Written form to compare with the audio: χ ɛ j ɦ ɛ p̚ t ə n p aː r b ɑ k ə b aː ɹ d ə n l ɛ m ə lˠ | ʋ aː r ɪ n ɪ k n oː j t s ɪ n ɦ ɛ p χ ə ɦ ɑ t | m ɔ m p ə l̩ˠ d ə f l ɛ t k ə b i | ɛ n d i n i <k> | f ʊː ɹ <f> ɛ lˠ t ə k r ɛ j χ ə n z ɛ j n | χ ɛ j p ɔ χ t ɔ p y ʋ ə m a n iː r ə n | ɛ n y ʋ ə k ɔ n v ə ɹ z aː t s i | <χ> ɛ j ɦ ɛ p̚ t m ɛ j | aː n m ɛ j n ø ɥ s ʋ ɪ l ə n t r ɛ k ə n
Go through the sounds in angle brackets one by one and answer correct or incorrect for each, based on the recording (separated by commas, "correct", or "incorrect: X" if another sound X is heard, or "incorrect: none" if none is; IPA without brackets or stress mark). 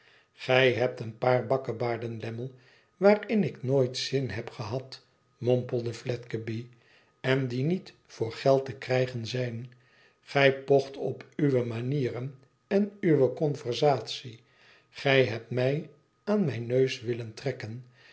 incorrect: t, incorrect: χ, correct